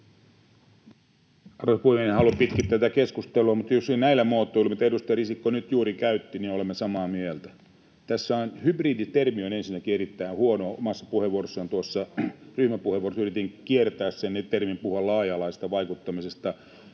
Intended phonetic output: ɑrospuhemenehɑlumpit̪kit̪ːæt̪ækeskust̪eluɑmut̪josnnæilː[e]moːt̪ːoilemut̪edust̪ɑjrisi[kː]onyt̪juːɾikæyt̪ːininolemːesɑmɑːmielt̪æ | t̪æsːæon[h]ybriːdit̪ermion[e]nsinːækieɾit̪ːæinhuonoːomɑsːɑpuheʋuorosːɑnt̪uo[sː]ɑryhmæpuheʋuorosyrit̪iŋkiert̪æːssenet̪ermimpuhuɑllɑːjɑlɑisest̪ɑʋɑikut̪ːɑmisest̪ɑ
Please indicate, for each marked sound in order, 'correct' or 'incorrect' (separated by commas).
incorrect, correct, correct, correct, correct